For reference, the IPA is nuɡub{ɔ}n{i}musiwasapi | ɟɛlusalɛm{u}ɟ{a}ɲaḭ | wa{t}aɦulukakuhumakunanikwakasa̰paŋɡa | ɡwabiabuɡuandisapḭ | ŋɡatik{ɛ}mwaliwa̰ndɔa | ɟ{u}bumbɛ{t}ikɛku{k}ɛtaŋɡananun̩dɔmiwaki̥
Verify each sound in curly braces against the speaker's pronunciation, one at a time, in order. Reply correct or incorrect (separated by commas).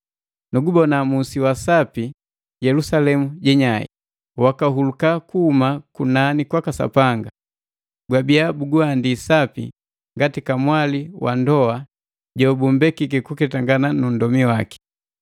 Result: correct, incorrect, correct, incorrect, incorrect, incorrect, incorrect, incorrect, correct